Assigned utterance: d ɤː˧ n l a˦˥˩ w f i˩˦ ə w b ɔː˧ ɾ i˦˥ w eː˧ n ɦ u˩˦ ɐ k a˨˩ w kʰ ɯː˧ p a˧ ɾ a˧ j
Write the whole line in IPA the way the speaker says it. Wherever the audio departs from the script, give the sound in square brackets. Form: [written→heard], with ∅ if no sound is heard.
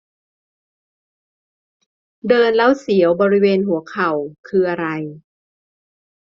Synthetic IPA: d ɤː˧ n l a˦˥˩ w [f→s] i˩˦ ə w b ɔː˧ ɾ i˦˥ w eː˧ n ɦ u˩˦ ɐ [k→kʰ] a˨˩ w kʰ ɯː˧ [p→ʔ] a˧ ɾ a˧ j